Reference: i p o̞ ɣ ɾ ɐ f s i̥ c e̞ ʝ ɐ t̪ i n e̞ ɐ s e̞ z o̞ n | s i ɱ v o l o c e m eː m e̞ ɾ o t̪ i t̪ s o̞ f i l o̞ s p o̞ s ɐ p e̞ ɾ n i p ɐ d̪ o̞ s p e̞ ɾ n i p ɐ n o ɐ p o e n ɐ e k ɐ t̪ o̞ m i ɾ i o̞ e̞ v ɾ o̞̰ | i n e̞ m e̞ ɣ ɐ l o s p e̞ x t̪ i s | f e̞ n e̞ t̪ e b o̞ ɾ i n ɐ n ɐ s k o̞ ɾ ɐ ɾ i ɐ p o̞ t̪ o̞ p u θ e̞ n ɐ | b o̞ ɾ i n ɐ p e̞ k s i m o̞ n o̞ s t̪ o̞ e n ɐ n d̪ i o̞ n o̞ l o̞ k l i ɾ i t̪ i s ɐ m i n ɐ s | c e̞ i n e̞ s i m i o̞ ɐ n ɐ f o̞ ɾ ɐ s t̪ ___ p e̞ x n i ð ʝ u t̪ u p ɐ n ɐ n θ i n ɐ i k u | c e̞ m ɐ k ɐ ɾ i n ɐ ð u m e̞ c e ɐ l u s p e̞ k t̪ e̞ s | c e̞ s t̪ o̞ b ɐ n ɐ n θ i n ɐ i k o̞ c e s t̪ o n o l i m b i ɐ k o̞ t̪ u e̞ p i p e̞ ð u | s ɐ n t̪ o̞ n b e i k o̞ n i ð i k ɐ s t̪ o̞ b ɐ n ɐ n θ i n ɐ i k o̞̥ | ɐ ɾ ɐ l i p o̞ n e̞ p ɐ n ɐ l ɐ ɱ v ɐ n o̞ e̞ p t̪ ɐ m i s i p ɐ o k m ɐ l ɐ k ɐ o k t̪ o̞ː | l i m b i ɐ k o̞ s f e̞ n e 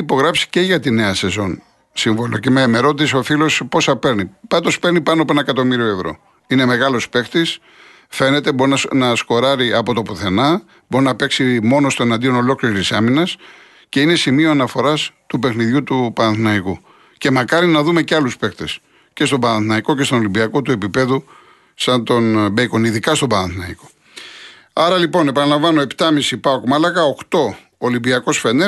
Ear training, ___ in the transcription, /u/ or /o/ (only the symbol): u